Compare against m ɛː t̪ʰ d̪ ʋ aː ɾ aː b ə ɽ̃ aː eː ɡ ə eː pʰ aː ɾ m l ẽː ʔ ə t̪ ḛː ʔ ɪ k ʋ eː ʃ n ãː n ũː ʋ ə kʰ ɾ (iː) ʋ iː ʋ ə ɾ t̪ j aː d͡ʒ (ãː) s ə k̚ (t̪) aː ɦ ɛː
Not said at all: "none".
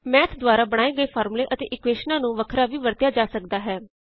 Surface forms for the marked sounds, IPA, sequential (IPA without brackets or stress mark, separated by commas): aː, aː, d̪